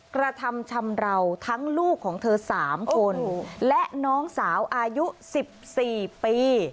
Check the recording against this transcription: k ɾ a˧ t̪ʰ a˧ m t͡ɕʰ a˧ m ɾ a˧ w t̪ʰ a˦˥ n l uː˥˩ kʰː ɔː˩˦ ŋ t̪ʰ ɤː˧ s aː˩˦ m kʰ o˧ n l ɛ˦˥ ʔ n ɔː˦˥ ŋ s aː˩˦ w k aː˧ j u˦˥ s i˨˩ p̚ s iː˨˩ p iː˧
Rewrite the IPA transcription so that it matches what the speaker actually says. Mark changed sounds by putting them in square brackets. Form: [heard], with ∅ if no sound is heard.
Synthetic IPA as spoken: k ɾ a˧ t̪ʰ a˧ m t͡ɕʰ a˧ m ɾ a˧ w t̪ʰ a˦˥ [ŋ] l uː˥˩ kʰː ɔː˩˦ ŋ t̪ʰ ɤː˧ s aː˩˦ m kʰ o˧ n l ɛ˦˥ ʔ n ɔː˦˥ ŋ s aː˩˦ w [ʔ] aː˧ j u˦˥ s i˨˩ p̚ s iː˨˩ p iː˧